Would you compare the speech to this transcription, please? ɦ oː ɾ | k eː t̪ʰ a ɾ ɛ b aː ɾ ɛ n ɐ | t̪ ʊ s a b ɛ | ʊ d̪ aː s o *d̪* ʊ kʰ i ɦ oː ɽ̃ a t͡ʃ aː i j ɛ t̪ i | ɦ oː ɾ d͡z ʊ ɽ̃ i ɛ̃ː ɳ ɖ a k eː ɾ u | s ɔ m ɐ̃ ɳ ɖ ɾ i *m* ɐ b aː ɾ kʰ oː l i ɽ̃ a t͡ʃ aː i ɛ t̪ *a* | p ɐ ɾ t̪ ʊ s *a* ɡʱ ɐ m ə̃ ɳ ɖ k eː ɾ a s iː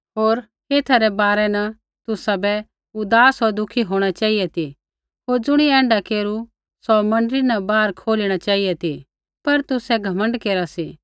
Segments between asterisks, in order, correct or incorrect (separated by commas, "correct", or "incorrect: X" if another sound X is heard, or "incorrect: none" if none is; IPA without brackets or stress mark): correct, incorrect: n, incorrect: i, incorrect: ɛ